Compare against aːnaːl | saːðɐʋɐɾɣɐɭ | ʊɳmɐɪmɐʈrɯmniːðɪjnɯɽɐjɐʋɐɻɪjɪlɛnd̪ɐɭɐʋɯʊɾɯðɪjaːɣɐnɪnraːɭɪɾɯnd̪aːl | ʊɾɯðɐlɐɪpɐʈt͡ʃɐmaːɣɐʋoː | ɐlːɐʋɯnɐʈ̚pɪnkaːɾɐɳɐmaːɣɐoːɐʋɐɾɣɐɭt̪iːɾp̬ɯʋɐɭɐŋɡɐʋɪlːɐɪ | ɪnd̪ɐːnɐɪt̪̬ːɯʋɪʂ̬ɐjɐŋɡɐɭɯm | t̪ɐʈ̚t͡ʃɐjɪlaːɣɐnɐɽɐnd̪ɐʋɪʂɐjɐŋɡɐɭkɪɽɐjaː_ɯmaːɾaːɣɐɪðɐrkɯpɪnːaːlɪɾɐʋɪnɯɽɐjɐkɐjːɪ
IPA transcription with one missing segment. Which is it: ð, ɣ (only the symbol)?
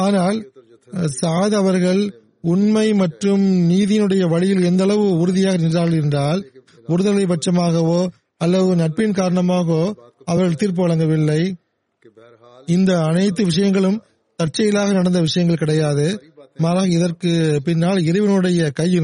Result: ð